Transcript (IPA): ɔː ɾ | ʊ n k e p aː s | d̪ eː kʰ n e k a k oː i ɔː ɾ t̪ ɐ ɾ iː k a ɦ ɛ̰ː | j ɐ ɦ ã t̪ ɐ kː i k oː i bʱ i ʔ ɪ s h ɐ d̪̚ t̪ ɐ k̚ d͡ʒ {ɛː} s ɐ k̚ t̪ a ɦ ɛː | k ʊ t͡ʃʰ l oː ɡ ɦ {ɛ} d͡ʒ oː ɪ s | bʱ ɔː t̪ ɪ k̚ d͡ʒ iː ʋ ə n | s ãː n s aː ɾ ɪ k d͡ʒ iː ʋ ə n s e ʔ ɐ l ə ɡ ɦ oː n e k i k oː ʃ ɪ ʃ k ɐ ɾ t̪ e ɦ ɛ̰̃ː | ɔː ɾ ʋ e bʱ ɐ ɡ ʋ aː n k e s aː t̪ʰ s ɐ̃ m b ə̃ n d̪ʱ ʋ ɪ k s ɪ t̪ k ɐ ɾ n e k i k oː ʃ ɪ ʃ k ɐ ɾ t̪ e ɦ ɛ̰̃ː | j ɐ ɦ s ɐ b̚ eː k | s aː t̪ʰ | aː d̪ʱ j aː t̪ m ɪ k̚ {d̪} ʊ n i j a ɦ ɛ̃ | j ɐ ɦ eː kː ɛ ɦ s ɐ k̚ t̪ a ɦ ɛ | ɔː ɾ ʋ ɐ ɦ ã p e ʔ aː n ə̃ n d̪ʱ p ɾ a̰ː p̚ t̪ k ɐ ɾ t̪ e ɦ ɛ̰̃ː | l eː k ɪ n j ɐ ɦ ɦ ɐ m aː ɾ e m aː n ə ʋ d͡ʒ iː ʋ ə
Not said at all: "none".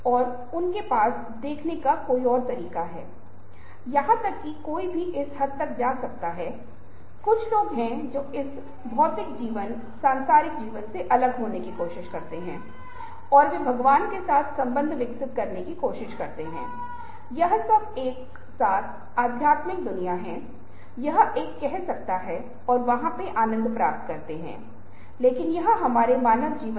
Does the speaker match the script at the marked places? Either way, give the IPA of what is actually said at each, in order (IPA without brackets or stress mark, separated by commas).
aː, ɛ̃, d̪